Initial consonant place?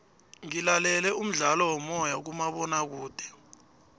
velar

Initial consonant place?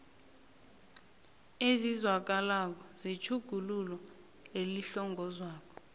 alveolar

